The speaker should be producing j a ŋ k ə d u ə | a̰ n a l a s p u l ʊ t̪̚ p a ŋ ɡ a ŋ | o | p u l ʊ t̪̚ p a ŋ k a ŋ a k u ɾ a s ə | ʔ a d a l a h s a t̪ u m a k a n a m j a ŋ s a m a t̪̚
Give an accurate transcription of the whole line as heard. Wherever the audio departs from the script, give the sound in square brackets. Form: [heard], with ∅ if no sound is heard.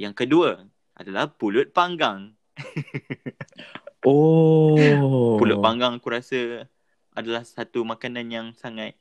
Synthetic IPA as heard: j a ŋ k ə d u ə | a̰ [d] a l a [h] p u l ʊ t̪̚ p a ŋ ɡ a ŋ | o | p u l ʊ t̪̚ p a ŋ [ɡ] a ŋ a k u ɾ a s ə | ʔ a d a l a h s a t̪ u m a k a n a [n] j a ŋ s a [ŋ] a t̪̚